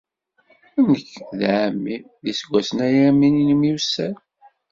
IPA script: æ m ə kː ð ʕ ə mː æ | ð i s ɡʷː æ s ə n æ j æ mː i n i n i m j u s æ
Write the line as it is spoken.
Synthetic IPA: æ n ə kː ð ʕ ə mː i | ð i s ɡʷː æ s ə n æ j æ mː i n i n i m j u s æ